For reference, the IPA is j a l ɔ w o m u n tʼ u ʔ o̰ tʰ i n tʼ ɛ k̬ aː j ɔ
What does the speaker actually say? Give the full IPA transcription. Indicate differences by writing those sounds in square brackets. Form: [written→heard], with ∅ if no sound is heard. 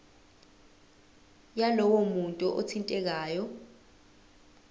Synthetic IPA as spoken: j a l ɔ w o m u n tʼ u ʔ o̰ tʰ i n tʼ ɛ k̬ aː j ɔ

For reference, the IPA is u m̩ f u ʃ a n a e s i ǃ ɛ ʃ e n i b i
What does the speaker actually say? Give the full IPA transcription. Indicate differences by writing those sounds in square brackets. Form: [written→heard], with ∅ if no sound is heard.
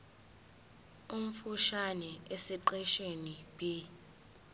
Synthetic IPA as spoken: u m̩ f u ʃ a n [a→ɛ] e s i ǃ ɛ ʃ e n i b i

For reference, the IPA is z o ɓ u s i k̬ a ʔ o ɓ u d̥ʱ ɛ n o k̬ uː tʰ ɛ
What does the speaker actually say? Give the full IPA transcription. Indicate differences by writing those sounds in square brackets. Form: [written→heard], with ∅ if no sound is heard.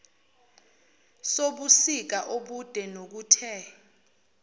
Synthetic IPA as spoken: [z→s] o ɓ u s i k̬ a ʔ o ɓ u d̥ʱ ɛ n o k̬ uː tʰ ɛ

